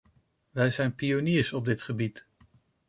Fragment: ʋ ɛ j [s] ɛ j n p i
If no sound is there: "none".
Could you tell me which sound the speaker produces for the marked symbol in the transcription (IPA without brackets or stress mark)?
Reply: z